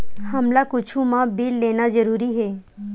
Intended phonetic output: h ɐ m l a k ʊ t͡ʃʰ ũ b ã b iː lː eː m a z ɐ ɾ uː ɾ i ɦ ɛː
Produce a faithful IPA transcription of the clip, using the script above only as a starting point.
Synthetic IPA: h ɐ m l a k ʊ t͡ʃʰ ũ m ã b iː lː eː n a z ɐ ɾ uː ɾ i ɦ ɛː